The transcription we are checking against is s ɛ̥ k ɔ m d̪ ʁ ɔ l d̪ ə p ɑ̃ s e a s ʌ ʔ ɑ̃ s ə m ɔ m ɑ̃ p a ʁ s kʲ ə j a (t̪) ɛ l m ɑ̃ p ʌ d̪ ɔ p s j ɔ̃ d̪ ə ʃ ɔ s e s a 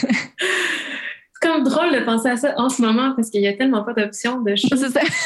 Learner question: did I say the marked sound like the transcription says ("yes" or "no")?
yes